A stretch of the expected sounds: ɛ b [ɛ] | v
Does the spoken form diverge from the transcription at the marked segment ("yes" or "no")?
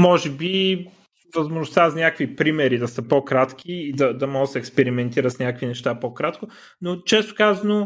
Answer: yes